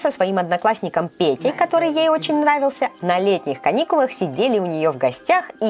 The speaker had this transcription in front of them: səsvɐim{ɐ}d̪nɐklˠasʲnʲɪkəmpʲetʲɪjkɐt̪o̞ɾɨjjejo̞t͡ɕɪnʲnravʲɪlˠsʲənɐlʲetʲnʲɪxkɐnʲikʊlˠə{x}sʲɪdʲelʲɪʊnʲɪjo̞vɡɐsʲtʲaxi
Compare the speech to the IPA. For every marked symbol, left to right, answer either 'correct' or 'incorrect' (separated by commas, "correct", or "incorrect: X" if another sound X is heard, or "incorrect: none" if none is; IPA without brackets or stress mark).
correct, correct